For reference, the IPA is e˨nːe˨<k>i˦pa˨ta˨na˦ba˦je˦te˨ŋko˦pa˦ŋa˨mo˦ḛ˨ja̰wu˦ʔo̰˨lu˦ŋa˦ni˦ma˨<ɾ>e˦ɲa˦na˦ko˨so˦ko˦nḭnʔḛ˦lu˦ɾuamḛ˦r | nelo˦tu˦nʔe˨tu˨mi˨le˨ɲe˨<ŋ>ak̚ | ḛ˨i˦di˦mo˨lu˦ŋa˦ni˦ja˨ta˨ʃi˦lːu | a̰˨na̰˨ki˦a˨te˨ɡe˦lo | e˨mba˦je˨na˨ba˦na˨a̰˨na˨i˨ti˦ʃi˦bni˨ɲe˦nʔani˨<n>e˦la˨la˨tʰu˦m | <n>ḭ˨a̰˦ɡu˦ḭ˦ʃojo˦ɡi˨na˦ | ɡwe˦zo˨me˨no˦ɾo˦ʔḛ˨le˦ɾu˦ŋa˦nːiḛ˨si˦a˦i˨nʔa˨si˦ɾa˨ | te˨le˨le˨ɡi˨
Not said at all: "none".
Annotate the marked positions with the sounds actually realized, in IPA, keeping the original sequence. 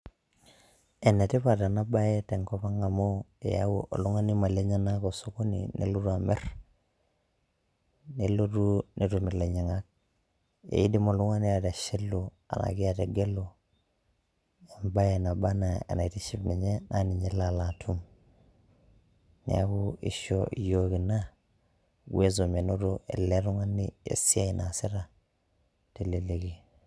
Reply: t, l, ŋ, ɲ, n

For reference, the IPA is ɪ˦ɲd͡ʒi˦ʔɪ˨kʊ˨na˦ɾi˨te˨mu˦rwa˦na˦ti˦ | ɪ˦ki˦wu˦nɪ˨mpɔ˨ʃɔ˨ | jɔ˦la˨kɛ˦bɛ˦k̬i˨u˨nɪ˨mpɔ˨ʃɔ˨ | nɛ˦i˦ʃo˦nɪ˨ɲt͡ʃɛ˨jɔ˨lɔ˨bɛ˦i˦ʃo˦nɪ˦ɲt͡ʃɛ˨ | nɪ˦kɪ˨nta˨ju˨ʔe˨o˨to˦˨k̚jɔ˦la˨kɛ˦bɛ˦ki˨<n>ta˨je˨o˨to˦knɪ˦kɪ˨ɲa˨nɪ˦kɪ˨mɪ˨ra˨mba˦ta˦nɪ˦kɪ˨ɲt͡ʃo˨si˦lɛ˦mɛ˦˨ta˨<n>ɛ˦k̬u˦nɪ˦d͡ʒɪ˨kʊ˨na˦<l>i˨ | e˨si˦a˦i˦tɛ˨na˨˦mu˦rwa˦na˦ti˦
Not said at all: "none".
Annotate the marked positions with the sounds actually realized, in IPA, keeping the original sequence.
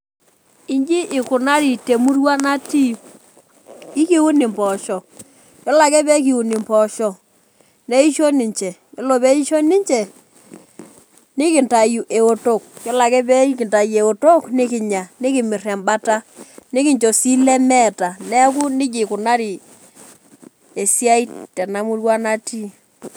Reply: n, n, ɾ

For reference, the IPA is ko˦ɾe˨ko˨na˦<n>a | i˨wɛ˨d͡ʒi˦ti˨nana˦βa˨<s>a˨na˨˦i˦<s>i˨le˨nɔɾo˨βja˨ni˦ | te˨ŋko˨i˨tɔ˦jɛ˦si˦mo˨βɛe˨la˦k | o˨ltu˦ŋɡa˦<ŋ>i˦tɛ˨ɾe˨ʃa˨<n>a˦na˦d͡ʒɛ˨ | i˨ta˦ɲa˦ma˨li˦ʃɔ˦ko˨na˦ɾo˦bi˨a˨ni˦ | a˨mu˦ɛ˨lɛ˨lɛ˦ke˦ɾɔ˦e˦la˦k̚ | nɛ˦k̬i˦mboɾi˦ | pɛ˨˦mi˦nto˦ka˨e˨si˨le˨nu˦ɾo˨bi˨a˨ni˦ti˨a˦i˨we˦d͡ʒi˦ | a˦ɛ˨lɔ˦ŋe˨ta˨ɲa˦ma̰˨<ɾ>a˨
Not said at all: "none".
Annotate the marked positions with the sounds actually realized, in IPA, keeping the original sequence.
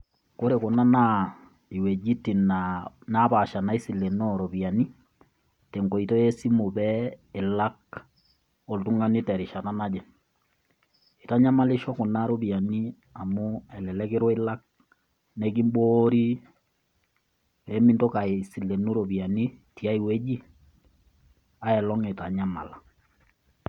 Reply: n, ʃ, s, n, n, l

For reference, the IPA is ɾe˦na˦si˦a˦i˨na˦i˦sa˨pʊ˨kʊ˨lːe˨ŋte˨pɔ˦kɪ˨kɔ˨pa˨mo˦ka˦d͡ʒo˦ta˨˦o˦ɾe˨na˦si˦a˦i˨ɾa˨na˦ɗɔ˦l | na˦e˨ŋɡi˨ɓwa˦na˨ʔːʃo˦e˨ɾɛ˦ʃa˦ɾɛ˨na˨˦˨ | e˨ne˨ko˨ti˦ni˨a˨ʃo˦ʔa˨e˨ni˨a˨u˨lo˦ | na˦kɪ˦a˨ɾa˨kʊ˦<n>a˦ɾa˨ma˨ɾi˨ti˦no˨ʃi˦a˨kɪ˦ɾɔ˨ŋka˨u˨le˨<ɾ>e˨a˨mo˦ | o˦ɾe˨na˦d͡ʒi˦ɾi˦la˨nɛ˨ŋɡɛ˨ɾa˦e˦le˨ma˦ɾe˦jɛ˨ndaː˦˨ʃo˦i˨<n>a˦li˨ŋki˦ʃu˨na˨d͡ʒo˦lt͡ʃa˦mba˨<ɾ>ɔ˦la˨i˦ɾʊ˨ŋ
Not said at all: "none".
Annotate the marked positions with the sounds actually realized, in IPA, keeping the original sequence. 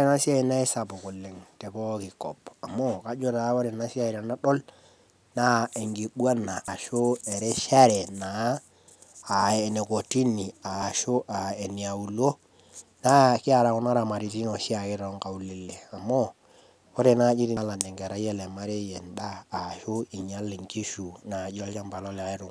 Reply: n, l, ɲ, l

